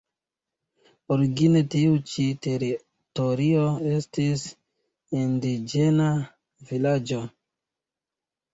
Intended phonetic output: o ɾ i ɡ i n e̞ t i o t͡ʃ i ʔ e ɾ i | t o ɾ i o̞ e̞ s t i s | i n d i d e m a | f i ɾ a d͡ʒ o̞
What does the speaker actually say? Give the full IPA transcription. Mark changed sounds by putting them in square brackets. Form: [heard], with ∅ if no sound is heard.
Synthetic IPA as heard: o ɾ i ɡ i n e̞ t i [u] t͡ʃ i [t] e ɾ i | t o ɾ i o̞ e̞ s t i s | i n d i [d͡ʒ] e [n] a | [v] i [l] a d͡ʒ o̞

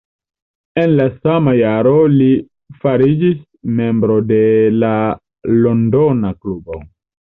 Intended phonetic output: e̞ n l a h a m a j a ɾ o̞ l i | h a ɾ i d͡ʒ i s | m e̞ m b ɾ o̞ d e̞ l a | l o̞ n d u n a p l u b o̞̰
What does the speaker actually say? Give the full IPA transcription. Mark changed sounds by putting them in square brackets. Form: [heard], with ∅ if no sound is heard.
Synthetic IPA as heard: e̞ n l a [s] a m a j a ɾ o̞ l i | [f] a ɾ i d͡ʒ i s | m e̞ m b ɾ o̞ d e̞ l a | l o̞ n d [o] n a [k] l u b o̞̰

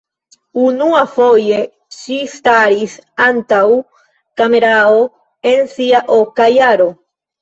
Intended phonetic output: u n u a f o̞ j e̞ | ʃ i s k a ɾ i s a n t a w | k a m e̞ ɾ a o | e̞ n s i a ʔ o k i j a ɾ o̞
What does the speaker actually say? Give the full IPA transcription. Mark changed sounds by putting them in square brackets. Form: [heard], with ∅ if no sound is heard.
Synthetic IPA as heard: u n u a f o̞ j e̞ | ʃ i s [t] a ɾ i s a n t a w | k a m e̞ ɾ a o | e̞ n s i a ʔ o k [a] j a ɾ o̞

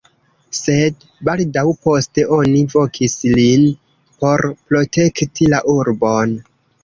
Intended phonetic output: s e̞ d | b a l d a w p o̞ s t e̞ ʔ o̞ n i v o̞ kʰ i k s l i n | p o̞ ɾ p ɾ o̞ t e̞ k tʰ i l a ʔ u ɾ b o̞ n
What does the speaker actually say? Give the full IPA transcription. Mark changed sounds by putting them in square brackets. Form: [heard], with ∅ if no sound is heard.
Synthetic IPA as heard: s e̞ d | b a l d a w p o̞ s t e̞ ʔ o̞ n i v o̞ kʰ i [∅] s l i n | p o̞ ɾ p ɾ o̞ t e̞ k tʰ i l a ʔ u ɾ b o̞ n

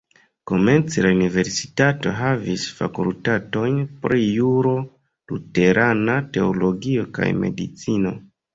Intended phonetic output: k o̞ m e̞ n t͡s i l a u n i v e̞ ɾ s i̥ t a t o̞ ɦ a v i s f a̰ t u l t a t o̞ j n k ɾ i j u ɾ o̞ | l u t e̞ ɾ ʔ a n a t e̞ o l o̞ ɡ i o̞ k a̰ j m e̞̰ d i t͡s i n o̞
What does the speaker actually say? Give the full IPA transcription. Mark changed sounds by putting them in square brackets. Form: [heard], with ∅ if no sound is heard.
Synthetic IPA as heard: k o̞ m e̞ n t͡s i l a u n i v e̞ ɾ s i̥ t a t o̞ ɦ a v i s f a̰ [k] u l t a t o̞ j n [p] ɾ i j u ɾ o̞ | l u t e̞ ɾ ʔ a n a t e̞ o l o̞ ɡ i o̞ k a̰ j m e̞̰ d i t͡s i n o̞

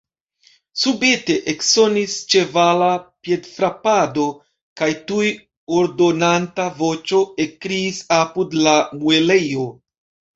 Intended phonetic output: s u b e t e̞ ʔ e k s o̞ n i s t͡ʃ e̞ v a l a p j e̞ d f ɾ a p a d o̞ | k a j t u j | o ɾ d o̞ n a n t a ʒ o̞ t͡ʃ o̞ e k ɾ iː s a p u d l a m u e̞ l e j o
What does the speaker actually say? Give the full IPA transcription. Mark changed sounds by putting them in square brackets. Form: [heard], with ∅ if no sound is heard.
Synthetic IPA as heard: s u b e t e̞ ʔ e k s o̞ n i s t͡ʃ e̞ v a l a p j e̞ d f ɾ a p a d o̞ | k a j t u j | o ɾ d o̞ n a n t a [v] o̞ t͡ʃ o̞ e k ɾ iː s a p u d l a m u e̞ l e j o

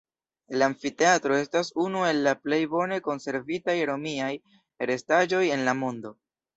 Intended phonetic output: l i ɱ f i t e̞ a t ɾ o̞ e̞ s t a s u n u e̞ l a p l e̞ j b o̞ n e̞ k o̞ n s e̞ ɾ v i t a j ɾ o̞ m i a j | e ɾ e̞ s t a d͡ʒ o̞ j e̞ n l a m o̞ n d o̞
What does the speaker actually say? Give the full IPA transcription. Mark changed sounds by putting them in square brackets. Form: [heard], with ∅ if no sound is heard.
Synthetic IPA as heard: l [a] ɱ f i t e̞ a t ɾ o̞ e̞ s t a s u n u e̞ [lː] a p l e̞ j b o̞ n e̞ k o̞ n s e̞ ɾ v i t a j ɾ o̞ m i a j | e ɾ e̞ s t a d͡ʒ o̞ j e̞ n l a m o̞ n d o̞

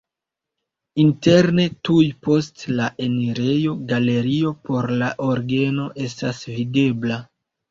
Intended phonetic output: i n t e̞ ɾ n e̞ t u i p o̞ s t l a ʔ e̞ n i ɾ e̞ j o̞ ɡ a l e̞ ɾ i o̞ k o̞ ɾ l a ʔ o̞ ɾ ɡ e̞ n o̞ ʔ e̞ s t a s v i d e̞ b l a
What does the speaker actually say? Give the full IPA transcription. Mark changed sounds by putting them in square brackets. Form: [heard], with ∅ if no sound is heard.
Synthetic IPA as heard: i n t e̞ ɾ n e̞ t u [j] p o̞ s t l a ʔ e̞ n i ɾ e̞ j o̞ ɡ a l e̞ ɾ i o̞ [p] o̞ ɾ l a ʔ o̞ ɾ ɡ e̞ n o̞ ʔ e̞ s t a s v i d e̞ b l a

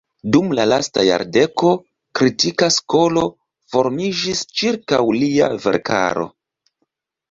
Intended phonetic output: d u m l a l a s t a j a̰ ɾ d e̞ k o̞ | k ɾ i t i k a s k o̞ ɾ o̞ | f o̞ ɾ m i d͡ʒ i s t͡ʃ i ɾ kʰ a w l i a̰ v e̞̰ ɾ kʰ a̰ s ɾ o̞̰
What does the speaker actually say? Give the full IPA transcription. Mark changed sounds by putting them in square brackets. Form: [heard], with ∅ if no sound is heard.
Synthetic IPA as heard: d u m l a l a s t a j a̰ ɾ d e̞ k o̞ | k ɾ i t i k a s k o̞ [l] o̞ | f o̞ ɾ m i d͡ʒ i s t͡ʃ i ɾ [k] a w l i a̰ v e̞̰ ɾ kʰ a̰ [∅] ɾ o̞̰

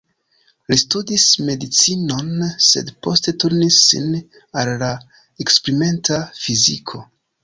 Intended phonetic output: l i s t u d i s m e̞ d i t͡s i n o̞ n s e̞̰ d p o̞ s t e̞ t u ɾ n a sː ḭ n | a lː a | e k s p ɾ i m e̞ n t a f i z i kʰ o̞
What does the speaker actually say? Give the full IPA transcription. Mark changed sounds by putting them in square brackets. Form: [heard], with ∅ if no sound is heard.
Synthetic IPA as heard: l i s t u d i s m e̞ d i t͡s i n o̞ n s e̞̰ d p o̞ s t e̞ t u ɾ n [i] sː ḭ n | a lː a | e k s p ɾ i m e̞ n t a f i z i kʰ o̞

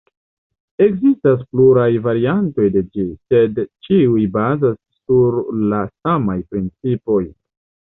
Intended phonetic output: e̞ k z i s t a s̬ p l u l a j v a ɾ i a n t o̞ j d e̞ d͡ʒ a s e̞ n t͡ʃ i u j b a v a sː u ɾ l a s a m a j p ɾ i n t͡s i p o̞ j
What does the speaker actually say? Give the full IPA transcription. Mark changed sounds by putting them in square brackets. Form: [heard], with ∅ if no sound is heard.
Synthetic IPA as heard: e̞ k z i s t a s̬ p l u [ɾ] a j v a ɾ i a n t o̞ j d e̞ d͡ʒ [i] s e̞ [d] t͡ʃ i u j b a [z] a sː u ɾ l a s a m a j p ɾ i n t͡s i p o̞ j

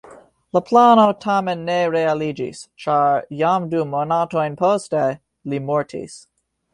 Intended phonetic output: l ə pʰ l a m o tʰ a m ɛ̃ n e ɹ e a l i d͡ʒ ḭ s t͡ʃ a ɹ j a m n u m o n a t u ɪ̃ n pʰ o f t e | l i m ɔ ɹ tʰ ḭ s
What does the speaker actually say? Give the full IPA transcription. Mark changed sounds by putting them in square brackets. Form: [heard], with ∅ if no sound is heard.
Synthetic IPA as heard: l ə pʰ l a [n] o tʰ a m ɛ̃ [nː] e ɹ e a l i d͡ʒ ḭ s t͡ʃ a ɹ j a m [d] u m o n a t [o] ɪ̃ n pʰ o [s] t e | l i m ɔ ɹ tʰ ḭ s

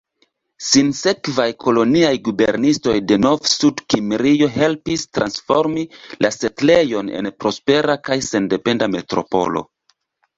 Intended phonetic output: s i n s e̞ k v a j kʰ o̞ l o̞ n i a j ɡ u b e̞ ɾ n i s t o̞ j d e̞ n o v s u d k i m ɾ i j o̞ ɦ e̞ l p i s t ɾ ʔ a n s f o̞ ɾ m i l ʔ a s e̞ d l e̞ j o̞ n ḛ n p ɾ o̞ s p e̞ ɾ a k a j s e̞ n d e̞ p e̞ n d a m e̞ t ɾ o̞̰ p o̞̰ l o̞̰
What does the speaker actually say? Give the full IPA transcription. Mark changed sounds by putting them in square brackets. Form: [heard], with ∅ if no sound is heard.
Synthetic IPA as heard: s i n s e̞ k v a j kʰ o̞ l o̞ n i a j ɡ u b e̞ ɾ n i s t o̞ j d e̞ n o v s u d k i m ɾ i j o̞ ɦ e̞ l p i s t ɾ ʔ a n s f o̞ ɾ m i l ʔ a s e̞ [t] l e̞ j o̞ n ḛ n p ɾ o̞ s p e̞ ɾ a k a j s e̞ n d e̞ p e̞ n d a m e̞ t ɾ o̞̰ p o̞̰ l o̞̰

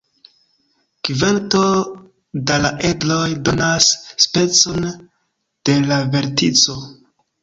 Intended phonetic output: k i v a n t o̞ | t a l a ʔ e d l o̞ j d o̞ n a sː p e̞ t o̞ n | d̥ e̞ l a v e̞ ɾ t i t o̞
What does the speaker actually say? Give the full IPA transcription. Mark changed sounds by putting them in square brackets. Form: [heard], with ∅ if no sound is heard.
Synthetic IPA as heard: k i v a n t o̞ | [d] a l a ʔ e d l o̞ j d o̞ n a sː p e̞ [t͡s] o̞ n | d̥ e̞ l a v e̞ ɾ t i [t͡s] o̞

